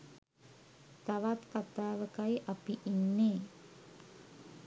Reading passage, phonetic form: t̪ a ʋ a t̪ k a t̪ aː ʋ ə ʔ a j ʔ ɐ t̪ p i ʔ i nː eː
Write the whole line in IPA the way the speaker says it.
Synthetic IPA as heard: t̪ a ʋ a t̪ k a t̪ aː ʋ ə k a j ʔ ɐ p i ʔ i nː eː